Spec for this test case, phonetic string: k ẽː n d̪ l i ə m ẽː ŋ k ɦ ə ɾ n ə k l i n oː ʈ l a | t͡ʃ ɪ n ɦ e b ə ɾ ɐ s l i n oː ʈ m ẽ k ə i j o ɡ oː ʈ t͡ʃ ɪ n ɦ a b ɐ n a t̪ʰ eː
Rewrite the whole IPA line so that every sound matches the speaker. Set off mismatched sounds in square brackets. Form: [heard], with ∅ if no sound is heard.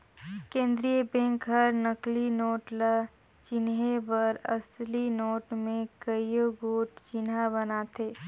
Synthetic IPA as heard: k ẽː n d̪ [ɾ] i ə [b] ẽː ŋ k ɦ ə ɾ n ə k l i n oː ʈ l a | t͡ʃ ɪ n ɦ e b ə ɾ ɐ s l i n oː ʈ m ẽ k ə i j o ɡ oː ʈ t͡ʃ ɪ n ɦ a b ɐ n a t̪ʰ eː